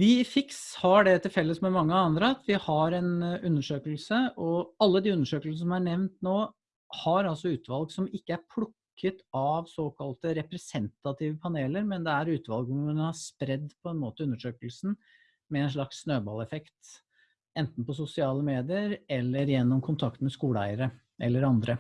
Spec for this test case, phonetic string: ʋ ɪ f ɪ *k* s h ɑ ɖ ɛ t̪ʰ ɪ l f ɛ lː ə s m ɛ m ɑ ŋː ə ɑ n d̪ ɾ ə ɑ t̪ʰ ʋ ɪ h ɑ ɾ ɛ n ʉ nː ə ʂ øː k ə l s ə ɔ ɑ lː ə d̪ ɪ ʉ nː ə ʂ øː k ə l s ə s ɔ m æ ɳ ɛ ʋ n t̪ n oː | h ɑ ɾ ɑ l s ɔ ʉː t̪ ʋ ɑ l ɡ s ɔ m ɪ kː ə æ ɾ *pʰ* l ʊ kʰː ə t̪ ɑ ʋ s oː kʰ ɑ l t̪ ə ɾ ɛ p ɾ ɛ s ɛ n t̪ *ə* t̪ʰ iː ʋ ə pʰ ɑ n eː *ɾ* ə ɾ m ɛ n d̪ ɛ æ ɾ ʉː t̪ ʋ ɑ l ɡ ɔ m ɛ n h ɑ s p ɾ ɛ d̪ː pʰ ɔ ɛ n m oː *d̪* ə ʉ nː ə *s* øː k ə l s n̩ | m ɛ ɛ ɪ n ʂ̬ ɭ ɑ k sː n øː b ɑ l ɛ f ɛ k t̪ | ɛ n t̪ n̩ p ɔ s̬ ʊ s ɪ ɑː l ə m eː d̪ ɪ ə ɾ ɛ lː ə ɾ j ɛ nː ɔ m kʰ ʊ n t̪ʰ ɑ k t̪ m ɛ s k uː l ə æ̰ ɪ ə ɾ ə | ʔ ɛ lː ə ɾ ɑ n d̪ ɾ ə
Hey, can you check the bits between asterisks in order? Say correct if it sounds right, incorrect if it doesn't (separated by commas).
correct, correct, incorrect, incorrect, incorrect, incorrect